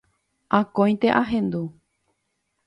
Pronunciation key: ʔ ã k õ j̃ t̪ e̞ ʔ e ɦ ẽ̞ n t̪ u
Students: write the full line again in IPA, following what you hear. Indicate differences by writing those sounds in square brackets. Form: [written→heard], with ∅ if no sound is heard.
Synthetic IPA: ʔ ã k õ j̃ t̪ e̞ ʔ [e→a] ɦ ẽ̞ n [t̪→d̪] u

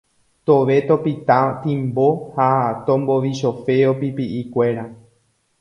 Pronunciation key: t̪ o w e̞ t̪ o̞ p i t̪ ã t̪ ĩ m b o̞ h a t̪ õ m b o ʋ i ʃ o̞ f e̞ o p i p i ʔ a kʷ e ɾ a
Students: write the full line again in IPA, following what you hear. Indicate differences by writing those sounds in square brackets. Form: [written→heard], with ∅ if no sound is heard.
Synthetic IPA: t̪ o [w→ʋ] e̞ t̪ o̞ p i t̪ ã t̪ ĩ m b o̞ h a t̪ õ m b o ʋ i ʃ o̞ f e̞ o p i p i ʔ [a→i] kʷ e ɾ a

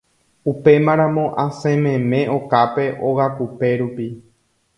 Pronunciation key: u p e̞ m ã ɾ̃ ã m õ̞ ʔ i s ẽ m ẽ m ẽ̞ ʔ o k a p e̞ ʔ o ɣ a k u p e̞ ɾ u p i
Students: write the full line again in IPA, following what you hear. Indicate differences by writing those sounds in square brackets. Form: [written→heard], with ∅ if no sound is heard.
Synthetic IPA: u p e̞ m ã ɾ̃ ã m õ̞ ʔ [i→a] s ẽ m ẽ m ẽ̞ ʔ o k a p e̞ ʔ o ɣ a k u p e̞ ɾ u p i

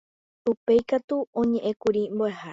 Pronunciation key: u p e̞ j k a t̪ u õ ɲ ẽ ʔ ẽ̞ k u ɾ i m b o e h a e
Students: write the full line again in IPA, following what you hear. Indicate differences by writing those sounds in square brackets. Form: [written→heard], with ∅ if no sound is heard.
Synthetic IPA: u p e̞ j k a t̪ u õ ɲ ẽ ʔ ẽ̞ k u ɾ i m b o e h a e

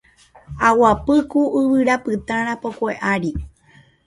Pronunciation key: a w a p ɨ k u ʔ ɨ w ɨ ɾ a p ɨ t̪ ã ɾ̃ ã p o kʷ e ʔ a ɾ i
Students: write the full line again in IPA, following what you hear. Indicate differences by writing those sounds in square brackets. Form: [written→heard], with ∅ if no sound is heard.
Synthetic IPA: a w a p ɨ k u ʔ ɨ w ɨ ɾ a p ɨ t̪ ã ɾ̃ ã p o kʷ e ʔ a ɾ i

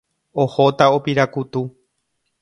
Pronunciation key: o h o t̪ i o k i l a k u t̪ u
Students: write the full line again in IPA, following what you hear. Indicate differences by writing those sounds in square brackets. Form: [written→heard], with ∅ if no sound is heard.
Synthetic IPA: o h o t̪ [i→a] o [k→p] i [l→ɾ] a k u t̪ u

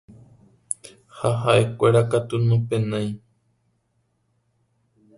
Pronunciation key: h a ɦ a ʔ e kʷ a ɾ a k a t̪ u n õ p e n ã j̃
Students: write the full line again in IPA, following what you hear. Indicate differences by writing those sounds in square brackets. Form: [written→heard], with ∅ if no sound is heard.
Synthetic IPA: h a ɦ a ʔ e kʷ [a→e] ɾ a k a t̪ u n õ p e n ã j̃

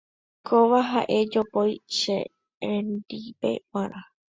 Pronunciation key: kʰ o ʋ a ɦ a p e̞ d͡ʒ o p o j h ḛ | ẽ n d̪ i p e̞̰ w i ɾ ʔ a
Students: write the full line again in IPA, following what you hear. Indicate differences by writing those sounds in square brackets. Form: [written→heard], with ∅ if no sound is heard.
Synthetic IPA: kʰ o ʋ a ɦ a [p→ʔ] e̞ d͡ʒ o p o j [h→ʃ] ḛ | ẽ n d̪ i p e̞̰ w [i→a] ɾ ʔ a

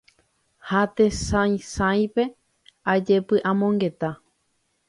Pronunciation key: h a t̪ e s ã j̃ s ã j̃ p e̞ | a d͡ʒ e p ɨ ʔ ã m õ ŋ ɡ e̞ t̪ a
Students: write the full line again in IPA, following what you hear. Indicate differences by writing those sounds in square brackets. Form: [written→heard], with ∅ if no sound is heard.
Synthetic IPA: h a t̪ e s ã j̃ s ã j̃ p e̞ | a d͡ʒ e p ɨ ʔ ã m õ ŋ ɡ e̞ t̪ a

